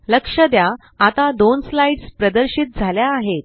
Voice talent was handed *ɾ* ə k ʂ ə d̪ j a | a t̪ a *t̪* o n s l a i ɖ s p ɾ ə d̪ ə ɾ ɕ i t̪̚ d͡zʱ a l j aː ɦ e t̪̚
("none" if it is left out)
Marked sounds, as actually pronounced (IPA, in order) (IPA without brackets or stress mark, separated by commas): l, d̪